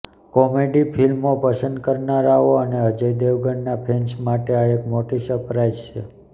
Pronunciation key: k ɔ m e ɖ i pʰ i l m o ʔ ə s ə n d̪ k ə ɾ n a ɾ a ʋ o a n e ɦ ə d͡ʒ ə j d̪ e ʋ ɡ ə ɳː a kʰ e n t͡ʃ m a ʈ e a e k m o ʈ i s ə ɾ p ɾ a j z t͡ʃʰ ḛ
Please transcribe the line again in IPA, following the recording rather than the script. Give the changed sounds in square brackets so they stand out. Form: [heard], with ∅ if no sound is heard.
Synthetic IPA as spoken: k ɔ m e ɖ i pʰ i l m o [p] ə s ə n d̪ k ə ɾ n a ɾ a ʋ o [ə] n e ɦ ə d͡ʒ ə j d̪ e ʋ ɡ ə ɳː a [pʰ] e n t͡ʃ m a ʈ e a e k m o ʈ i s ə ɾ p ɾ a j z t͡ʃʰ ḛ